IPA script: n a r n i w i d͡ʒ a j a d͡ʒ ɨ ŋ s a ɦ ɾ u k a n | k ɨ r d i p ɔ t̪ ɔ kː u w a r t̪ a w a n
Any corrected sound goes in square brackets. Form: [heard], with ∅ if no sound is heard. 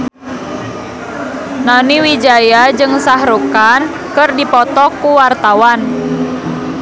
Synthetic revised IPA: n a [∅] n i w i d͡ʒ a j a d͡ʒ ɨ ŋ s a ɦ ɾ u k a n | k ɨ r d i p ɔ t̪ ɔ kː u w a r t̪ a w a n